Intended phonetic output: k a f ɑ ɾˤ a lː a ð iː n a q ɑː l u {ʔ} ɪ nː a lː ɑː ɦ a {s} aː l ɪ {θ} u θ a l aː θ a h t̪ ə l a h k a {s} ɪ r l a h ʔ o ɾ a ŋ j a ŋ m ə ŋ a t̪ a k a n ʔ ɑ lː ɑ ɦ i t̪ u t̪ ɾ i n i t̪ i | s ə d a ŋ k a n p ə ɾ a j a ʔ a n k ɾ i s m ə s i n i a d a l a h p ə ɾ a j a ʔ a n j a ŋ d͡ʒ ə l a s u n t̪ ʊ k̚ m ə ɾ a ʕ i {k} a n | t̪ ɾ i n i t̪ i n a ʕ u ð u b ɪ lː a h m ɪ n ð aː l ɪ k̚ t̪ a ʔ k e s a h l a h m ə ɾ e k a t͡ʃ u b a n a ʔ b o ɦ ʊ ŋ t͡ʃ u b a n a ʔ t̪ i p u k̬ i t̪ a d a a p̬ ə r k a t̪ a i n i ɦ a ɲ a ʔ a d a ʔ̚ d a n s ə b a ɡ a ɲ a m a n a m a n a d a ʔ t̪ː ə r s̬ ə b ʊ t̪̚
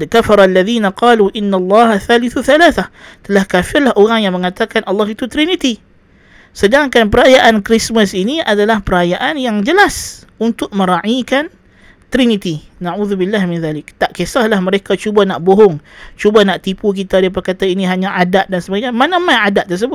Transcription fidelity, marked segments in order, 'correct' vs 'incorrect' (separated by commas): correct, incorrect, correct, incorrect, correct